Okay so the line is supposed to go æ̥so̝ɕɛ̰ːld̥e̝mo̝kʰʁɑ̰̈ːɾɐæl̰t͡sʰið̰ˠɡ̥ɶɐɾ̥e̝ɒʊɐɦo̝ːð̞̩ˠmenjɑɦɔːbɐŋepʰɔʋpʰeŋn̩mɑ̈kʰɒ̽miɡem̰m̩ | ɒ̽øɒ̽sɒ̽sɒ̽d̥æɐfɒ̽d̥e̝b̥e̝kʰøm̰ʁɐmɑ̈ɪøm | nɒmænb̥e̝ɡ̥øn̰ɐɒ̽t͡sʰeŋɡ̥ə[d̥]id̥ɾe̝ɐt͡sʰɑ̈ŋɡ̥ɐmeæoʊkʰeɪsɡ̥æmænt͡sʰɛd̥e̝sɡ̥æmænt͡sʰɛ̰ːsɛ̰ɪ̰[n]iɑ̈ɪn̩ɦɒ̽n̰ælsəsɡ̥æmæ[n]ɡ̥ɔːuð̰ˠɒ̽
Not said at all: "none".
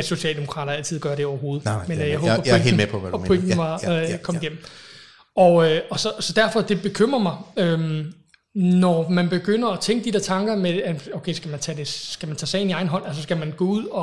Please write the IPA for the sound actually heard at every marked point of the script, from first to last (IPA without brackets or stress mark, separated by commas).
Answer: d̥, n, n